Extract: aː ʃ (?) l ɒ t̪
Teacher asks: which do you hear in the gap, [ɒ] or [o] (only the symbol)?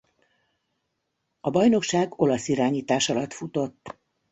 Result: ɒ